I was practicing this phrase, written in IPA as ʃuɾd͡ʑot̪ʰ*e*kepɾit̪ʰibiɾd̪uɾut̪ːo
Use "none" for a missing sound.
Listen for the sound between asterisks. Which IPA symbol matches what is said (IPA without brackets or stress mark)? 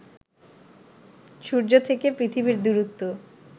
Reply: e